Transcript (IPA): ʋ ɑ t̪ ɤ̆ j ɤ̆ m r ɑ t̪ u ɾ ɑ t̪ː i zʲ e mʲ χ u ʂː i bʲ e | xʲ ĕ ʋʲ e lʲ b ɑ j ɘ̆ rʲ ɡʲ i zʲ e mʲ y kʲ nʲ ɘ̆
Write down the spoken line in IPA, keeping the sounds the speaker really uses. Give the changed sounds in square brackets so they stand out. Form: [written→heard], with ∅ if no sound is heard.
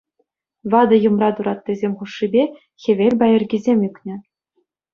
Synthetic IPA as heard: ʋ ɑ [t̪→d̪] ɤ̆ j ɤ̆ m r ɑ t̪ u ɾ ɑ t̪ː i zʲ e mʲ χ u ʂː i bʲ e | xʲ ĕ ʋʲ e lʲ b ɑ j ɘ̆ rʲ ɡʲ i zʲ e mʲ y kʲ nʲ ɘ̆